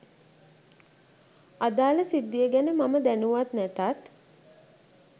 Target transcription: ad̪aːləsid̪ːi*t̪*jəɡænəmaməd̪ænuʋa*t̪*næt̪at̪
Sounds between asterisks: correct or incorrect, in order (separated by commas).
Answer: incorrect, correct